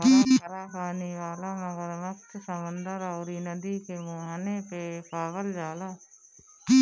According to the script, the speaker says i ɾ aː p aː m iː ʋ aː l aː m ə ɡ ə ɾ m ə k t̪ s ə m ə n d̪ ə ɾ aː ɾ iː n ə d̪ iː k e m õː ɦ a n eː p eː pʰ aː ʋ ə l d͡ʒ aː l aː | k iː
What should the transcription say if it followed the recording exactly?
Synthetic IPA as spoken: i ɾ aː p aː n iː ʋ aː l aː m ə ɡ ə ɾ m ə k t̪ s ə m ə n d̪ ə ɾ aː ɾ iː n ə d̪ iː k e m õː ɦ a n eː p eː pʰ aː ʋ ə l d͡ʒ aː l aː | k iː